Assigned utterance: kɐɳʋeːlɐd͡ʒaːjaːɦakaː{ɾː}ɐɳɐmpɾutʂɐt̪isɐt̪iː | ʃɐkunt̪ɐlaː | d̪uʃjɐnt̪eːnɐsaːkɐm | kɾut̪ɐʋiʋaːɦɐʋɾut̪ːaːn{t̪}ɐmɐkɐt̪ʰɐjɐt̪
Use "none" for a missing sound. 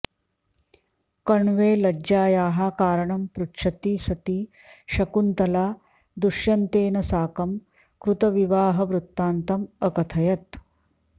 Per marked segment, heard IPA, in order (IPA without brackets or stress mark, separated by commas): ɾ, t̪